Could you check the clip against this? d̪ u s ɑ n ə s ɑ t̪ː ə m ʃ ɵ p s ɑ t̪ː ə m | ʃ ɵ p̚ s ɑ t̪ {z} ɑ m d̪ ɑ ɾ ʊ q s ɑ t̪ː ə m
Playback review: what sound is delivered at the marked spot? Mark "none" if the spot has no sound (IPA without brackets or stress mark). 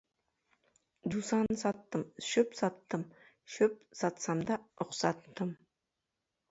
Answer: s